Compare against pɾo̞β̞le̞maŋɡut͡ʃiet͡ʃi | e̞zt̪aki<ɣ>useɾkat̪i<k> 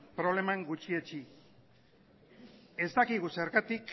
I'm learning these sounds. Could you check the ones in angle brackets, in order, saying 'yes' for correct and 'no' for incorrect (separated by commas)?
yes, yes